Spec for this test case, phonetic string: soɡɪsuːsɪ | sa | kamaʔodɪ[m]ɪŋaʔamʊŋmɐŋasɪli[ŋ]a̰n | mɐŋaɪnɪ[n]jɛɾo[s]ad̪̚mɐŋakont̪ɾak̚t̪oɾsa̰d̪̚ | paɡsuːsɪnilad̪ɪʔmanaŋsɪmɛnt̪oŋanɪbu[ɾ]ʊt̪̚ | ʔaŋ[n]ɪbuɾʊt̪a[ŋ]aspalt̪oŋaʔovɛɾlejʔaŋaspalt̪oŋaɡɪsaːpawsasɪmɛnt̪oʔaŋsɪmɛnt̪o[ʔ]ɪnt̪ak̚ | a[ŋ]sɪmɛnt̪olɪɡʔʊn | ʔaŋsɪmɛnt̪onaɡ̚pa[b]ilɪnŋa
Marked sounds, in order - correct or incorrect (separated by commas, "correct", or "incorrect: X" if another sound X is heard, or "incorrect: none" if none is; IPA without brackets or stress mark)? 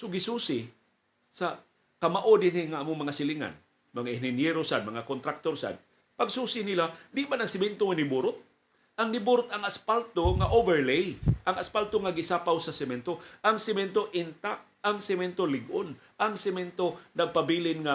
incorrect: n, correct, correct, correct, correct, correct, correct, correct, correct, correct